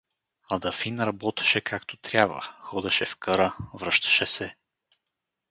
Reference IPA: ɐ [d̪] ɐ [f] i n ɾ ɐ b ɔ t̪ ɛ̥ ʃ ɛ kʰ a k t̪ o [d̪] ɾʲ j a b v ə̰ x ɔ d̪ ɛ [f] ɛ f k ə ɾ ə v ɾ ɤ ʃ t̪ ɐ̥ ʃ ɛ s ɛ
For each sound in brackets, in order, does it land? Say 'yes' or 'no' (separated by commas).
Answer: yes, yes, no, no